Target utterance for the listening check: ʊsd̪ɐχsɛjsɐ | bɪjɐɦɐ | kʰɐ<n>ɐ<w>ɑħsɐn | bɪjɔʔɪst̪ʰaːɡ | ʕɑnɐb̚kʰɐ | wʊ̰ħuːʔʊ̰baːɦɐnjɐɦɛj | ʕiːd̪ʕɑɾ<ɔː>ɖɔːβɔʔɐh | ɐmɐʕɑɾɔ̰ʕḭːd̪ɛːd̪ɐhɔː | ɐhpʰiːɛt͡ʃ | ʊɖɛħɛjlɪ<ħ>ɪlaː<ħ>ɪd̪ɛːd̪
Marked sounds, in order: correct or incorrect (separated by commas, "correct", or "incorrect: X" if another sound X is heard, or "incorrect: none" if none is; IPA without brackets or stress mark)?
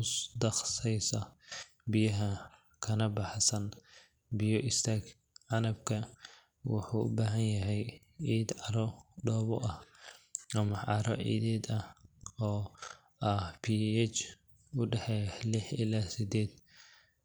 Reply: correct, incorrect: b, incorrect: ɔ, correct, incorrect: s